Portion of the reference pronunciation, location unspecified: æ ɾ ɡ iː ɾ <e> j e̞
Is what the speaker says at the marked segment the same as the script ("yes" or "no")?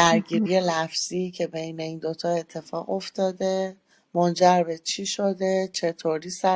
no